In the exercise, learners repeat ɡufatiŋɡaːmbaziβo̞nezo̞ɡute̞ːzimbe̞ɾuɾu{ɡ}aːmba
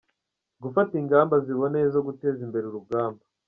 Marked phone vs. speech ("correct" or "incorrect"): correct